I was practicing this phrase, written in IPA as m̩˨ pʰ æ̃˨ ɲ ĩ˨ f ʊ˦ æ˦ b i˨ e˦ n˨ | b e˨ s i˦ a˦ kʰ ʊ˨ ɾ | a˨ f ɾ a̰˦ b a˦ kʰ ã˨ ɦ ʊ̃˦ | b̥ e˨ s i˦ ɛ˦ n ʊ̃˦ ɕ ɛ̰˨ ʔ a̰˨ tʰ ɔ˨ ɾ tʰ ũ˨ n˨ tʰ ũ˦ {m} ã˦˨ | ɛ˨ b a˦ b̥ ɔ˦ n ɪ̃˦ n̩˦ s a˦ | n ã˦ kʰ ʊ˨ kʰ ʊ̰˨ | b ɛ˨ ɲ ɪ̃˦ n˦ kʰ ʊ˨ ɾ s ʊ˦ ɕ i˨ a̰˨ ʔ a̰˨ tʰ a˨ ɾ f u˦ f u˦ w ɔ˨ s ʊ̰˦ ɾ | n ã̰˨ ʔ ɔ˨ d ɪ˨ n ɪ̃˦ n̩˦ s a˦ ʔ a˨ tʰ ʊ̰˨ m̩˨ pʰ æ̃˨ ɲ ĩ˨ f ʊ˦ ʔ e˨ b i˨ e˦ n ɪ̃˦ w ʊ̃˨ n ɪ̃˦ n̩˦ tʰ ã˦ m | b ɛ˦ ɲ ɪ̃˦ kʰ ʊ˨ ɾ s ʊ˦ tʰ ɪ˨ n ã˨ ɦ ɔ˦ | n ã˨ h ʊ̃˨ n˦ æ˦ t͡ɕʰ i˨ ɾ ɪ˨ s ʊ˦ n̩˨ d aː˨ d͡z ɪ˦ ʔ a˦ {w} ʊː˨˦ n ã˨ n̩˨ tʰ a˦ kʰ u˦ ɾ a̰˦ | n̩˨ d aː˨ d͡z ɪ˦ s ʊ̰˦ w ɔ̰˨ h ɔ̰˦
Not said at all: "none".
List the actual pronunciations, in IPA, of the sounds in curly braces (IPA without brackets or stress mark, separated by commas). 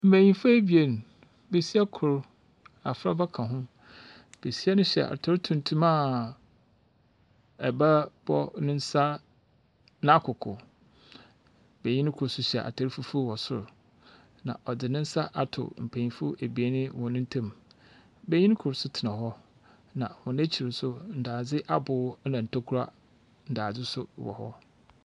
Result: m, b